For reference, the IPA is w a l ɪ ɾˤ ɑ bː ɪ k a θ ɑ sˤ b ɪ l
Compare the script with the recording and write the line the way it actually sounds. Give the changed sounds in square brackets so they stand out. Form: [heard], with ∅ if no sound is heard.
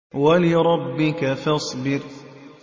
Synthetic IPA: w a l ɪ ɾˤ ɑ bː ɪ k a [f] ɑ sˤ b ɪ [ɾ]